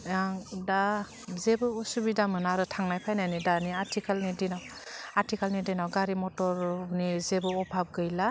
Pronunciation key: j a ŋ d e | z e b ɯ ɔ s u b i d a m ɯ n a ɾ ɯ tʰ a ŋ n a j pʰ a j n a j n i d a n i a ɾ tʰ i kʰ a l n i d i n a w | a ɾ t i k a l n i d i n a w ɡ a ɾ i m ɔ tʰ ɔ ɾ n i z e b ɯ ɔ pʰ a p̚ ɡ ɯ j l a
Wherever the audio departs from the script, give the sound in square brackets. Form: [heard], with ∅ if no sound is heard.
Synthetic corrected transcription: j a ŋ d [a] | z e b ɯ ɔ s u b i d a m ɯ n a ɾ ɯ tʰ a ŋ n a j pʰ a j n a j n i d a n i a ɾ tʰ i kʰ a l n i d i n a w | a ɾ t i k a l n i d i n a w ɡ a ɾ i m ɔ [t] ɔ ɾ n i z e b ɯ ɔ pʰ a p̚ ɡ ɯ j l a